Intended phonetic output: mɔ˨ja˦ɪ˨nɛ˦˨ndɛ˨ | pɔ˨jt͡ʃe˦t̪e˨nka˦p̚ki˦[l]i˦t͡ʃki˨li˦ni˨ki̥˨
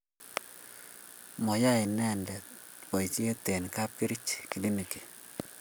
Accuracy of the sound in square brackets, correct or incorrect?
incorrect